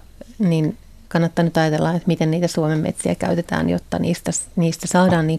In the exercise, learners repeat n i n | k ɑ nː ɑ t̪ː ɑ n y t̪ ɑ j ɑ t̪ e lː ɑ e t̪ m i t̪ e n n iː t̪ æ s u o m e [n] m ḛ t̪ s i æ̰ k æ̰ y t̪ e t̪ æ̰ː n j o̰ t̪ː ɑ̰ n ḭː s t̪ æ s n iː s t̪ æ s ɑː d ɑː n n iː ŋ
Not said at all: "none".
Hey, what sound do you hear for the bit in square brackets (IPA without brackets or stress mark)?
m